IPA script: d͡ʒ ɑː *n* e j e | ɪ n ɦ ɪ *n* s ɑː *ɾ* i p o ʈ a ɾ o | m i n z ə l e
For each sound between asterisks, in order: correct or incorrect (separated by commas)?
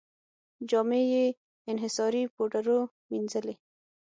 incorrect, incorrect, correct